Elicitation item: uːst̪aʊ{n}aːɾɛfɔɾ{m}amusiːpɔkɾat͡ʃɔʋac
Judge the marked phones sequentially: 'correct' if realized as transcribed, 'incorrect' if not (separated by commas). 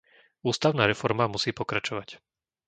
correct, correct